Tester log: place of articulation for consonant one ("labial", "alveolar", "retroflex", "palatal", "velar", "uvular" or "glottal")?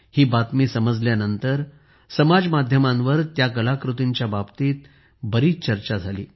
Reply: glottal